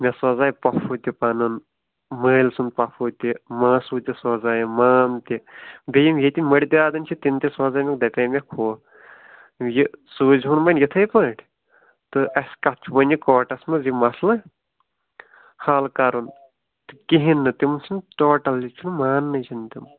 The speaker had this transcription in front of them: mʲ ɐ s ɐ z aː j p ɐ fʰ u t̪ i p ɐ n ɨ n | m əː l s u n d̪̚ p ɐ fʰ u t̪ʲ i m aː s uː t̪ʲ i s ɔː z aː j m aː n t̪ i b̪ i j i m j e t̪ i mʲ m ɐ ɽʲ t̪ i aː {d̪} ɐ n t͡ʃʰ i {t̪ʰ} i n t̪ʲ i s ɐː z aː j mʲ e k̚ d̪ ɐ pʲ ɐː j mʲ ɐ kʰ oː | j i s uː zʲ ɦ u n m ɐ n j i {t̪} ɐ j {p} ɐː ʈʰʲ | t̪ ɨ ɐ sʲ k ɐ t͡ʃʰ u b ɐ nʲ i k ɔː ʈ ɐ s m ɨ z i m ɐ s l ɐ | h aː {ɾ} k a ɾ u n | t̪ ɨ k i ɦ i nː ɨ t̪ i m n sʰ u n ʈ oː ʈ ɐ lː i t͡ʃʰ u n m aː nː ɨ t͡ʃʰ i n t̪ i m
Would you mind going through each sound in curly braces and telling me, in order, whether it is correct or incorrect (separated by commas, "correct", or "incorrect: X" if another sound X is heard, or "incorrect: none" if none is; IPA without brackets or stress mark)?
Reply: correct, incorrect: t̪, incorrect: t̪ʰ, correct, incorrect: l